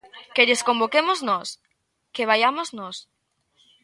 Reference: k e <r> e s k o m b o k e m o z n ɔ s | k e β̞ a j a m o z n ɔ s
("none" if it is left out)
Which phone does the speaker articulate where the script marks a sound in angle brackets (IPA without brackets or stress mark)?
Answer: ʎ